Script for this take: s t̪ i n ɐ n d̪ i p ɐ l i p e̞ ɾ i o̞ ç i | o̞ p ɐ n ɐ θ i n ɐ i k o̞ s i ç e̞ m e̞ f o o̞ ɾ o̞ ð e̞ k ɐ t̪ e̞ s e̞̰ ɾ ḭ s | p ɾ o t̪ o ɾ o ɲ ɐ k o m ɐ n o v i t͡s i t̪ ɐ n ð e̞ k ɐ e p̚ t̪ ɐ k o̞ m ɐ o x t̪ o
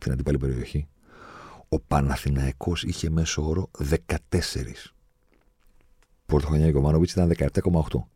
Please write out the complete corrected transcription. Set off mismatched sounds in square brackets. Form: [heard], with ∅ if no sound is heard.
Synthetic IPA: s t̪ i n ɐ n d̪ i p ɐ l i p e̞ ɾ i o̞ ç i | o̞ p ɐ n ɐ θ i n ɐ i k o̞ s i ç e̞ m e̞ [s] o o̞ ɾ o̞ ð e̞ k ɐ t̪ e̞ s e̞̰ ɾ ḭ s | p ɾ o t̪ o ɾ o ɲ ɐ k o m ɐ n o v i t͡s i t̪ ɐ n ð e̞ k ɐ e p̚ t̪ ɐ k o̞ m ɐ o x t̪ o